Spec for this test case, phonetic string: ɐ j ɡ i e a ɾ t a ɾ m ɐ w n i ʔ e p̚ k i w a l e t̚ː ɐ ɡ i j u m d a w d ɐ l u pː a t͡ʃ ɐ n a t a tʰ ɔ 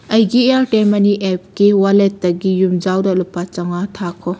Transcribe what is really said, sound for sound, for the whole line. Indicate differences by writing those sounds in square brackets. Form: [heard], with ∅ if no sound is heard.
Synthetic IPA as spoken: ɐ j ɡ i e a ɾ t [e] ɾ m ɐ [∅] n i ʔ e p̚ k i w a l e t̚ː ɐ ɡ i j u m [d͡ʒ] a w d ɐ l u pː a t͡ʃ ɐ [ŋ] a [tʰ] a [kʰ] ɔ